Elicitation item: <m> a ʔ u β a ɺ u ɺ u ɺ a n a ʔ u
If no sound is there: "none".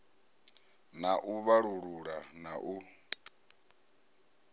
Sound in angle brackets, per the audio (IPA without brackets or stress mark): n